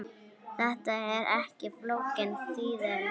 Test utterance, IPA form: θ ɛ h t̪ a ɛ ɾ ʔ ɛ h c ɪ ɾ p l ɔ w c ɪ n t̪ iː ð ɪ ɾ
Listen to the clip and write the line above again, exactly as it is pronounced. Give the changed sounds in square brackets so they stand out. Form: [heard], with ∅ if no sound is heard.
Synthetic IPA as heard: θ ɛ h t̪ a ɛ ɾ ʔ ɛ h c ɪ [∅] p l [o] w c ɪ n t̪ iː ð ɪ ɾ